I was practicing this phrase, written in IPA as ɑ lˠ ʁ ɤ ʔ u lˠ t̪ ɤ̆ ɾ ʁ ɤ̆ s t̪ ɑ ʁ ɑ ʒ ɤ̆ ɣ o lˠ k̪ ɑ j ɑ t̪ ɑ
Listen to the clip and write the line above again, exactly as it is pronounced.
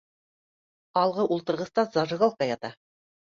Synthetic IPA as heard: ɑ lˠ ʁ ɤ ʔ u lˠ t̪ ɤ̆ ɾ ʁ ɤ̆ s t̪ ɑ z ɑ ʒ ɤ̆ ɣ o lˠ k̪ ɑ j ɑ t̪ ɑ